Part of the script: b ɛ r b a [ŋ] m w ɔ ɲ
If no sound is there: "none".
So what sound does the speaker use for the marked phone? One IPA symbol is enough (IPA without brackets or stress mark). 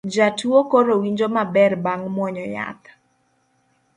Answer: ŋ